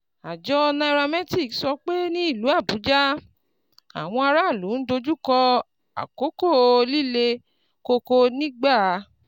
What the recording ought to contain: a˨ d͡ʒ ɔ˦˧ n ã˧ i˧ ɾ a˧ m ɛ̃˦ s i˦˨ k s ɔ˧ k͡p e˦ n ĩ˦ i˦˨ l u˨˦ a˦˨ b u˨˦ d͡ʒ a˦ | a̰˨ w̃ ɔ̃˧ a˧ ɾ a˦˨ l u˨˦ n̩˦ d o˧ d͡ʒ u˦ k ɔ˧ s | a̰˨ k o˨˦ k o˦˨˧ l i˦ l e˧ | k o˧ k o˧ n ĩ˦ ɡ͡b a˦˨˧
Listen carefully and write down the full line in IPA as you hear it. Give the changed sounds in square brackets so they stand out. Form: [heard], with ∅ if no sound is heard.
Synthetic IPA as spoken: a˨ d͡ʒ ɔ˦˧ n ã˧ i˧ ɾ a˧ m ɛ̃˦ [t] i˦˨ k s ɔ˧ k͡p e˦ n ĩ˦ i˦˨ l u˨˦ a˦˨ b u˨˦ d͡ʒ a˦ | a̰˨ w̃ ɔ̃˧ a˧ ɾ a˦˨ l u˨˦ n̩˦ d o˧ d͡ʒ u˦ k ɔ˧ [∅] | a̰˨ k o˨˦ k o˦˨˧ l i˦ l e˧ | k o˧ k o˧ n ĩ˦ ɡ͡b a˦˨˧